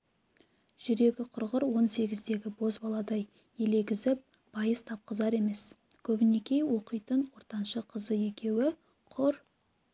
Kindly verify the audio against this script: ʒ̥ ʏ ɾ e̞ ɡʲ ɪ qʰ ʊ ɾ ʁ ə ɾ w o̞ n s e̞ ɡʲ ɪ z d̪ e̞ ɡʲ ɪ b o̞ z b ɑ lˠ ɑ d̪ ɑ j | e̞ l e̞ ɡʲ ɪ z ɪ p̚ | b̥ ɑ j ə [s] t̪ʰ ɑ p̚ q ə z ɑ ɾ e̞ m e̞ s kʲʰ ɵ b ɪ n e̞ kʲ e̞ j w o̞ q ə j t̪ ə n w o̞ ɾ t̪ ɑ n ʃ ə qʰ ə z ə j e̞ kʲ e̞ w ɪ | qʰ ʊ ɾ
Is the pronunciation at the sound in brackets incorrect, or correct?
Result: correct